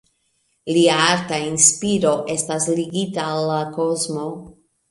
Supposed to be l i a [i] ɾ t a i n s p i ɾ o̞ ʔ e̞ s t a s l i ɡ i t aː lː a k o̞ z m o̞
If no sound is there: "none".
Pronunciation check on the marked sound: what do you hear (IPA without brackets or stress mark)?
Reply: a